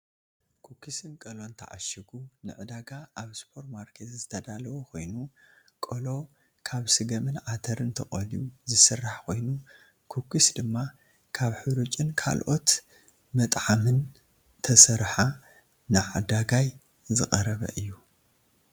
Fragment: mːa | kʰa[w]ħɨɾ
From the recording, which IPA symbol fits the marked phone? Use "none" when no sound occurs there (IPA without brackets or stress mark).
β